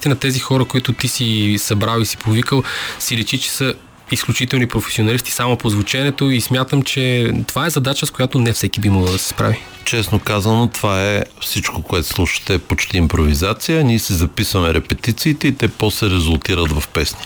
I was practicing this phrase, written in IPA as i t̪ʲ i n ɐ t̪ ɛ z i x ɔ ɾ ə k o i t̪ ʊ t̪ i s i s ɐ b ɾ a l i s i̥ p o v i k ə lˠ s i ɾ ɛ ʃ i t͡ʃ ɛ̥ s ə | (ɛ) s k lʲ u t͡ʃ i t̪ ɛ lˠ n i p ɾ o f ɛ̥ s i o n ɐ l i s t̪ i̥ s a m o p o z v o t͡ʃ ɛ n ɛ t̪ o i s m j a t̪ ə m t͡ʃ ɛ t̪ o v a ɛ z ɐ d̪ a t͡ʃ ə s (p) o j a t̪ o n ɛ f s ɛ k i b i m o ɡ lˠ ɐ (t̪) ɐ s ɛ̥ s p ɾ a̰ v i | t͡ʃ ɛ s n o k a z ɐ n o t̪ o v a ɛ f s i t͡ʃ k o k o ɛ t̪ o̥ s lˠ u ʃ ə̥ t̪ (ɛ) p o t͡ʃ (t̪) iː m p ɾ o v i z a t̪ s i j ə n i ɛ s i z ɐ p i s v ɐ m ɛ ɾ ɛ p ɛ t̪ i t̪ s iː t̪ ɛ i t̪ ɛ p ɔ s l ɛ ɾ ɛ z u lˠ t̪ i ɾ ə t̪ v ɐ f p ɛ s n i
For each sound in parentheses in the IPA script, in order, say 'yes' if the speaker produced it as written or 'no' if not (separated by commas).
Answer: no, no, no, yes, yes